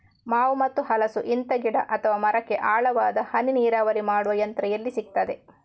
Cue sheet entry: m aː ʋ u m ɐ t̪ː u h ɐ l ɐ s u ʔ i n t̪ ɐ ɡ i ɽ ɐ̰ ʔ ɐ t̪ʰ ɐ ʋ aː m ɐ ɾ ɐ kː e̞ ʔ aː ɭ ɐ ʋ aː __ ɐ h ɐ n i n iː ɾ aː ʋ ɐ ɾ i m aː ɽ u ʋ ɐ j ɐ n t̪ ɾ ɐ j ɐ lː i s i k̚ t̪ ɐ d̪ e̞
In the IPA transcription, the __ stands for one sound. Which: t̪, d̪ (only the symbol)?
d̪